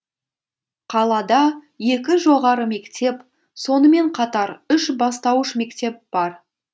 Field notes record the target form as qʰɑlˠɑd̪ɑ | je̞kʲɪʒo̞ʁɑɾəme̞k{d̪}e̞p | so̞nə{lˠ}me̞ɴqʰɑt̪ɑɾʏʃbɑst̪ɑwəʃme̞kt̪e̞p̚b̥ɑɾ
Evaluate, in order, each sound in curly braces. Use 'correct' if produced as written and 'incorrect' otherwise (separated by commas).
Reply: incorrect, incorrect